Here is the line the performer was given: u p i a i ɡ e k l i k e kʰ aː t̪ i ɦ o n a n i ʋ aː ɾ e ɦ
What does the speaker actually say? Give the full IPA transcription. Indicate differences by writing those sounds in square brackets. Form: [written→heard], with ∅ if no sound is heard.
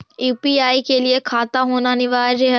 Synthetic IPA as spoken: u p i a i [ɡ→k] e [k→∅] l i [k→∅] e kʰ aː t̪ [i→a] ɦ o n a n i ʋ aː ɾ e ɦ